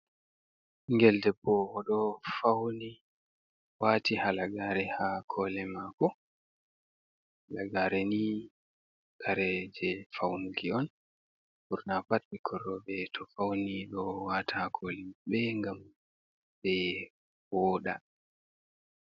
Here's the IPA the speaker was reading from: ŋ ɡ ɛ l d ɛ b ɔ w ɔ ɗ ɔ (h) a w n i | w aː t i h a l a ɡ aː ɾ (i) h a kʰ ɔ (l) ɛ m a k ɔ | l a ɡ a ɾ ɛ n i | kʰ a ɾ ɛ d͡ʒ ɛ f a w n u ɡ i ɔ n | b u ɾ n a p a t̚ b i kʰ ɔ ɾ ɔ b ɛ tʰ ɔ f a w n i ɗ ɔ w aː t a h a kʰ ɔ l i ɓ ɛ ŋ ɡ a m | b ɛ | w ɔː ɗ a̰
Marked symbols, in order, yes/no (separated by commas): no, no, yes